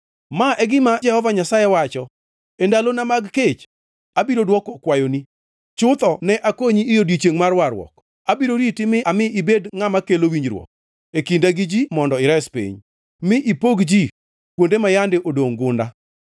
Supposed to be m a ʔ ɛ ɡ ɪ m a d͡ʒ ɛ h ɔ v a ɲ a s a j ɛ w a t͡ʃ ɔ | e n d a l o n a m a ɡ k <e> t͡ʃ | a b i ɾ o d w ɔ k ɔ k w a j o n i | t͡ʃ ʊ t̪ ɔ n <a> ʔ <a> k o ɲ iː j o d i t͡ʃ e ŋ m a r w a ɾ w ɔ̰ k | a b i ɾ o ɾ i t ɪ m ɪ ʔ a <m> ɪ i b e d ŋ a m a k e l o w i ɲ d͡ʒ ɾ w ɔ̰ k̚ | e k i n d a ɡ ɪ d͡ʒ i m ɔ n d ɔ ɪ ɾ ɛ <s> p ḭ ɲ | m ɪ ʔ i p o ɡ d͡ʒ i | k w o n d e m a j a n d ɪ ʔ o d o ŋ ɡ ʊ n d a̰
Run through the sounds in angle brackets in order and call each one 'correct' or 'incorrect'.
correct, incorrect: ɛ, correct, correct, correct

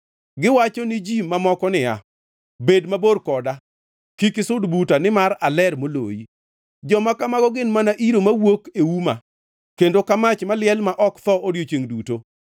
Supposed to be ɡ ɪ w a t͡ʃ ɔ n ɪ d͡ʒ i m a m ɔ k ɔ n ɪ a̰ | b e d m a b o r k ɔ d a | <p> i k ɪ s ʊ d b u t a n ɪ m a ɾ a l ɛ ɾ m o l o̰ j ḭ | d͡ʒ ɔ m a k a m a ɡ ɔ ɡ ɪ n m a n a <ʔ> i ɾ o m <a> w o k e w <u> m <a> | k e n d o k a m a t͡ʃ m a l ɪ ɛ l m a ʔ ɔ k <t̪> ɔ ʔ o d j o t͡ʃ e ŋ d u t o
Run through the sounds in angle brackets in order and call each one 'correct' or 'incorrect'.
incorrect: k, correct, correct, correct, correct, correct

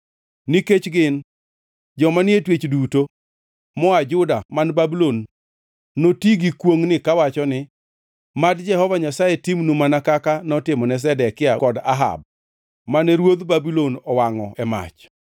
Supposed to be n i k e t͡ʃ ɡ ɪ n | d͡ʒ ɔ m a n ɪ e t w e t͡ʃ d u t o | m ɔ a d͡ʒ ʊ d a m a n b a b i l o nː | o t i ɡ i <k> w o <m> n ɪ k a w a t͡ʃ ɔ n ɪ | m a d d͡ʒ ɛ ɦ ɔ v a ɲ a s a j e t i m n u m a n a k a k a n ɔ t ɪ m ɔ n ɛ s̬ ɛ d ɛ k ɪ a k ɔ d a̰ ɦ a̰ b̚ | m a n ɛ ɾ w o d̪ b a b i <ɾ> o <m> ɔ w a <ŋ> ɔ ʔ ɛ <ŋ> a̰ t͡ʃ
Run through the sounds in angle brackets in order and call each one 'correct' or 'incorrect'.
correct, incorrect: ŋ, incorrect: l, incorrect: n, correct, incorrect: m

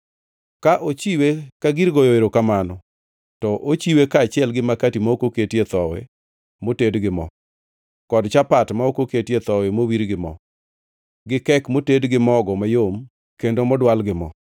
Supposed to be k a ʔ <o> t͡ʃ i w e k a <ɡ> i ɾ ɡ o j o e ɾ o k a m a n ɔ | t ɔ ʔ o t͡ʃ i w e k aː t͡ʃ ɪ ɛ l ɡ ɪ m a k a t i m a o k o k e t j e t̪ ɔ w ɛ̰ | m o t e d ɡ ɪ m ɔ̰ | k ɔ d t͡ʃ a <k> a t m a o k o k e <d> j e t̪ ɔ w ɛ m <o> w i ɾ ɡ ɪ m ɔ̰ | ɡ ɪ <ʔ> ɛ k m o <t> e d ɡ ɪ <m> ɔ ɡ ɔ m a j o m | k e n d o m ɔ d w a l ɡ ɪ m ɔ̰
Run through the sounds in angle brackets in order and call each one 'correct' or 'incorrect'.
correct, correct, incorrect: p, incorrect: t, correct, incorrect: k, correct, correct

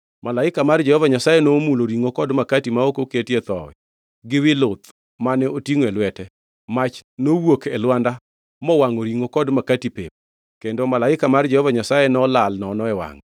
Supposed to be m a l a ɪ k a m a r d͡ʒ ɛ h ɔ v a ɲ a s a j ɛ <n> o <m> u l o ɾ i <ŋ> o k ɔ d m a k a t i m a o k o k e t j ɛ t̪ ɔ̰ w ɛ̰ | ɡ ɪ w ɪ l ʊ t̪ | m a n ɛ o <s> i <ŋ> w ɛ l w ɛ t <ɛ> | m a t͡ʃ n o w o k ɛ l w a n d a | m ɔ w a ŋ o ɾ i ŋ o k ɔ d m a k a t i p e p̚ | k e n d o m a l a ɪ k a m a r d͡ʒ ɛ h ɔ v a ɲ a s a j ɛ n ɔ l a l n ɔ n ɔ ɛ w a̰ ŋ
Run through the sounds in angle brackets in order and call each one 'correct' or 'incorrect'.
correct, correct, correct, incorrect: t, correct, correct

